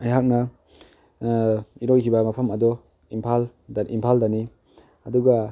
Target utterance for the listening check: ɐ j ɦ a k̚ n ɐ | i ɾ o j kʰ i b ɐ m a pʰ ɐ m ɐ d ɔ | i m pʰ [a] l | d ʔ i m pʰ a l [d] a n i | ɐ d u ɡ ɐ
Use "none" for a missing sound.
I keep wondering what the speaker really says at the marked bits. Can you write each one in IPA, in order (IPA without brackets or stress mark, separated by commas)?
a, d